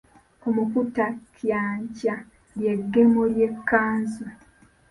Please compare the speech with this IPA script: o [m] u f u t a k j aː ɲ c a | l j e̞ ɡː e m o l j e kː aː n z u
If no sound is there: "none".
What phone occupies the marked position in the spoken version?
m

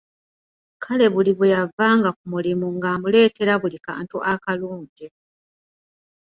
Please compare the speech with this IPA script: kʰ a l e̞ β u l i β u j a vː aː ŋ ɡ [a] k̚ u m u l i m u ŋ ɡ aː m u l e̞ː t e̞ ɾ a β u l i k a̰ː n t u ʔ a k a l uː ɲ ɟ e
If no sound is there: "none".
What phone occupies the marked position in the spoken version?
a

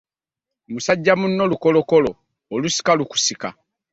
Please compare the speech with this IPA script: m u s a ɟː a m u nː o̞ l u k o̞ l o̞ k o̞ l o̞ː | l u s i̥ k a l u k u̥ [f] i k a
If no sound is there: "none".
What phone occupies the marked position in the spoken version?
s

